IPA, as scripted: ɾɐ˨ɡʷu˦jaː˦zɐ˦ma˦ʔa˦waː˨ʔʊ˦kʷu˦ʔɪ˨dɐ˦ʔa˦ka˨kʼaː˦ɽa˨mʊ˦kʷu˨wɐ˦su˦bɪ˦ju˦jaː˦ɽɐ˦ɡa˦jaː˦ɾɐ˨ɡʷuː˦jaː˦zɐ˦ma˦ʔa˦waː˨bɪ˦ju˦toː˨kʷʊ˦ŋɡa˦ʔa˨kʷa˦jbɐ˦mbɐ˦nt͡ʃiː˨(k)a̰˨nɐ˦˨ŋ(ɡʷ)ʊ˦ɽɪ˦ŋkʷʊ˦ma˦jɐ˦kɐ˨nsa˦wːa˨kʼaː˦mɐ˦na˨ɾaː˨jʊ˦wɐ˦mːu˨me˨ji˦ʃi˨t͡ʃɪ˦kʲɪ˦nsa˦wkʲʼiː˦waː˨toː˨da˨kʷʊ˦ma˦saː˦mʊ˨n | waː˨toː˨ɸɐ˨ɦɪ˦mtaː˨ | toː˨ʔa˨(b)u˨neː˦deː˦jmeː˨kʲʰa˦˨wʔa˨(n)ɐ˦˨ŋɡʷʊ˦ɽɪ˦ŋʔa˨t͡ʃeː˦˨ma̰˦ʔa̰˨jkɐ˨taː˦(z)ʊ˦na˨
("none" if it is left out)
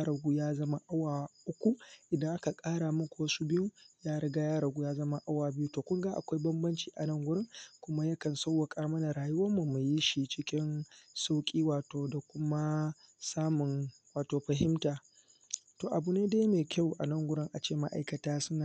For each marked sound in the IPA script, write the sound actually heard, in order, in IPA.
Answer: ʔ, ɡʷ, b, n, s

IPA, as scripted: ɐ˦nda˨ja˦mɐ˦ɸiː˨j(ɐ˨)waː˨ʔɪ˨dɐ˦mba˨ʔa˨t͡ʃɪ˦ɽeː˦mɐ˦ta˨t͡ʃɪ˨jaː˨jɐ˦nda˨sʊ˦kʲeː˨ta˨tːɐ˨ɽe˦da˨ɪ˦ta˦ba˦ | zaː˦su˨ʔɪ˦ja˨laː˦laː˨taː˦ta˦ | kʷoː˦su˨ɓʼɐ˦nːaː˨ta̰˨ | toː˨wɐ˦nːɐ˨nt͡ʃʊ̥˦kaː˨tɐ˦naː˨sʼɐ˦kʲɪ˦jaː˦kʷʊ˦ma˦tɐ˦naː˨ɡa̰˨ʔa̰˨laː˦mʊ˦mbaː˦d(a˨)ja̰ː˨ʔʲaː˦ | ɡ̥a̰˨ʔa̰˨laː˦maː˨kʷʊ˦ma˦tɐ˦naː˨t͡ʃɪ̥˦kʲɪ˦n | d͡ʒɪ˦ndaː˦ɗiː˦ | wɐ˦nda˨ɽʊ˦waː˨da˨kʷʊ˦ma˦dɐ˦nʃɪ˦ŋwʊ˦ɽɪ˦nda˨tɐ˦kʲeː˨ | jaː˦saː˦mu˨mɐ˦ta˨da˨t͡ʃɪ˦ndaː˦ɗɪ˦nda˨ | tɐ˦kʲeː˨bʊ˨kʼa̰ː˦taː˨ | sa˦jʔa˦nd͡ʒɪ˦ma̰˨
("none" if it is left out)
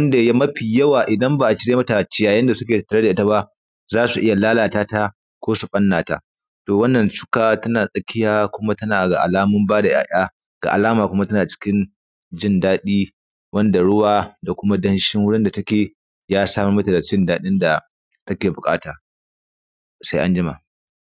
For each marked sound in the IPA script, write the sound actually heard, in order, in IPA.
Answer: ɐ˦, a˨

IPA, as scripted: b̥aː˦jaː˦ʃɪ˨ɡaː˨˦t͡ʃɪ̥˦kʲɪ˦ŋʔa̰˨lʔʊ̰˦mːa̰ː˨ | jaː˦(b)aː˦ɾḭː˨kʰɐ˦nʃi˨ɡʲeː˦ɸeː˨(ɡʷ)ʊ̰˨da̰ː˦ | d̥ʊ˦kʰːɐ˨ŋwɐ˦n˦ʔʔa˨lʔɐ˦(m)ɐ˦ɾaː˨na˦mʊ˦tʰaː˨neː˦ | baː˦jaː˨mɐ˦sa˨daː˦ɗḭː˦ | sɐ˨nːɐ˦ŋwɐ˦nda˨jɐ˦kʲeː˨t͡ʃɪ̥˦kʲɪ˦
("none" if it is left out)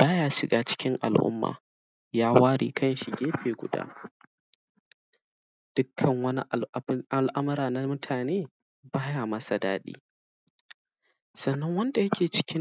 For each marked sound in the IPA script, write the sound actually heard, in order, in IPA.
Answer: w, ɡʷ, m

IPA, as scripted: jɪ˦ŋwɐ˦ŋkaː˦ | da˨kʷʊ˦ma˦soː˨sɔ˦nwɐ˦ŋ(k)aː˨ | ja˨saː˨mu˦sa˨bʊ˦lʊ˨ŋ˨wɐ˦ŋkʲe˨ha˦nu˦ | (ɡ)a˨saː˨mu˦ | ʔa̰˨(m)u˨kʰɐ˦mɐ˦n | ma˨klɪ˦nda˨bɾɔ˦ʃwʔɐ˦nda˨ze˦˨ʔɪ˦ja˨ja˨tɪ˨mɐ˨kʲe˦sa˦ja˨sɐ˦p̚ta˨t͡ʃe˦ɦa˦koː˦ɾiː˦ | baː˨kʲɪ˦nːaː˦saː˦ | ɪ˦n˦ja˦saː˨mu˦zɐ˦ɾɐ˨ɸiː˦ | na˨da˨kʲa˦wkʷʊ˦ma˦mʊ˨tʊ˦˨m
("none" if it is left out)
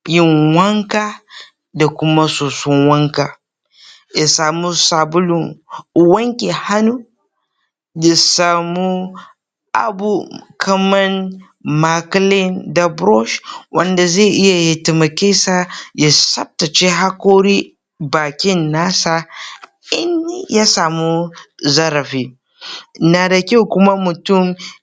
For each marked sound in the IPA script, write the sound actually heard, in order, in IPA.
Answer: k, d, b

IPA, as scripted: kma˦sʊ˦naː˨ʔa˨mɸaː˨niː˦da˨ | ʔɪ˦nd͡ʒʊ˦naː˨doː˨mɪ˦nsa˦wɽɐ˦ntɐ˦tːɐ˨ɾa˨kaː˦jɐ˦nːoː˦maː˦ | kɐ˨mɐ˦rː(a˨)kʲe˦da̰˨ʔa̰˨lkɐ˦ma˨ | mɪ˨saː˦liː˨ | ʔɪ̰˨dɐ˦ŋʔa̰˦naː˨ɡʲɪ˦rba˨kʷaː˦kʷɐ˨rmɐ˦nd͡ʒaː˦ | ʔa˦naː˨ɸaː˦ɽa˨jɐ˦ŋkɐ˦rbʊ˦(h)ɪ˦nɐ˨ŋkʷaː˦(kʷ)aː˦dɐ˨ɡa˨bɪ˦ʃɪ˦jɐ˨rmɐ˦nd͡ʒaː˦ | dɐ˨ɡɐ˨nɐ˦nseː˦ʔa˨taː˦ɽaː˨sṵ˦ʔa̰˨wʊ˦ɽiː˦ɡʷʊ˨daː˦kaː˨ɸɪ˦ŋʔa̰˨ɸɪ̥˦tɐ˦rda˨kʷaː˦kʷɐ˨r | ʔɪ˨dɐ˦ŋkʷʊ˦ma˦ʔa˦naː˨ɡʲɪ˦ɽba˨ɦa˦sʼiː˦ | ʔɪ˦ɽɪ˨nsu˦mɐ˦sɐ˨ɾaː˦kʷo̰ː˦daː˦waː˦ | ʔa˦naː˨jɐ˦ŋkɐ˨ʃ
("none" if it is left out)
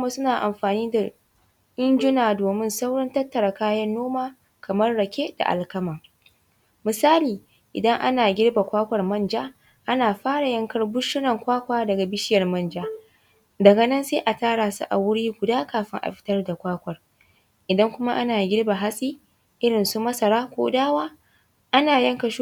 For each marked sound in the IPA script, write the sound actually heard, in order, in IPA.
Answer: ɐ˨, ʃ, kʷ

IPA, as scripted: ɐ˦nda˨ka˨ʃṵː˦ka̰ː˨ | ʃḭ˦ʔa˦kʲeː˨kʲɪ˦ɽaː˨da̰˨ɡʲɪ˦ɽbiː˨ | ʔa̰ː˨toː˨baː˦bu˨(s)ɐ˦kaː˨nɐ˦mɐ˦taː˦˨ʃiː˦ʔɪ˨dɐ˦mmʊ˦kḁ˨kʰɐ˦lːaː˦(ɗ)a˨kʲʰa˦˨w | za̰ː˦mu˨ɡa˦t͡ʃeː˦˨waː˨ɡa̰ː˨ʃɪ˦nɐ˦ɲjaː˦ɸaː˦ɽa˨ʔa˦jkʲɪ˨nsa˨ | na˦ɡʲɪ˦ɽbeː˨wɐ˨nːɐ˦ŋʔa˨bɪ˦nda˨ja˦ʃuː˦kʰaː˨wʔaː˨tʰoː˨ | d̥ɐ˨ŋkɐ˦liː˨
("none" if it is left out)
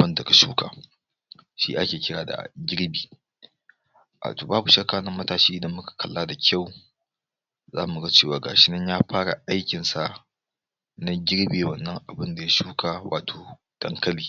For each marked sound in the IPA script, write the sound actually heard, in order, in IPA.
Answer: ʃ, d

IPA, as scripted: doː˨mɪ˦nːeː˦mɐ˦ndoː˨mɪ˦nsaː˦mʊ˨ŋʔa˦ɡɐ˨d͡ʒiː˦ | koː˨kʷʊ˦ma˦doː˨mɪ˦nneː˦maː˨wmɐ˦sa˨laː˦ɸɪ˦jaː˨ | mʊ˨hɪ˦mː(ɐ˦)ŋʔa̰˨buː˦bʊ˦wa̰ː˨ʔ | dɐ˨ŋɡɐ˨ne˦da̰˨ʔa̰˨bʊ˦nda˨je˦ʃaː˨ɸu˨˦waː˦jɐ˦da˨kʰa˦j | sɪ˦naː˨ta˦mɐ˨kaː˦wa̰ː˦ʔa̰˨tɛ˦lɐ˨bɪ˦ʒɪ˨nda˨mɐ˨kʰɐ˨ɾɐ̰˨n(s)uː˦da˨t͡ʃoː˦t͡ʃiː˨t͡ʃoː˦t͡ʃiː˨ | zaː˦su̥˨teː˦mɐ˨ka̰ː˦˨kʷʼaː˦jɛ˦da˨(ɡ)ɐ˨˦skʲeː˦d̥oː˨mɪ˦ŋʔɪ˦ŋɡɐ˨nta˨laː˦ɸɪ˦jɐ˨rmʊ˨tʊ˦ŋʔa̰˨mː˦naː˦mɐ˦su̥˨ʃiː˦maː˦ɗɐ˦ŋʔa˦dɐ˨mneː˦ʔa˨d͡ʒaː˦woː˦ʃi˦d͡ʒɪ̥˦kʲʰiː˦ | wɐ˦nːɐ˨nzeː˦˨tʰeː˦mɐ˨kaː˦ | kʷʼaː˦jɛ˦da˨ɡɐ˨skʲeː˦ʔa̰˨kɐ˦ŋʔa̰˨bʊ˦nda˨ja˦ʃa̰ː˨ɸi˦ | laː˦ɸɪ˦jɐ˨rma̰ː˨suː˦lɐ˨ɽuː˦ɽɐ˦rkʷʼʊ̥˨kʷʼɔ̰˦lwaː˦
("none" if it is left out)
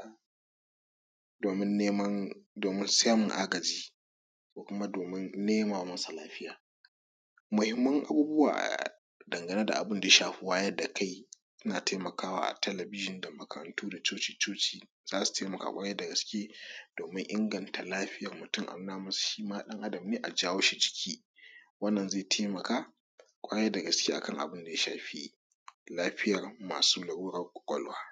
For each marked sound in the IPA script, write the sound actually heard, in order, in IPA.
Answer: ɐ˦, t, ɡ

